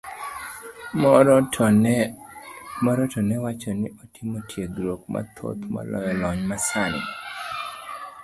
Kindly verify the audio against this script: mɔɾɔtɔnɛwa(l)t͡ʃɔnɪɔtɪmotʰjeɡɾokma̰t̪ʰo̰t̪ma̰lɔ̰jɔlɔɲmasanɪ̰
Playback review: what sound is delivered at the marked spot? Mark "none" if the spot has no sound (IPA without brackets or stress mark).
none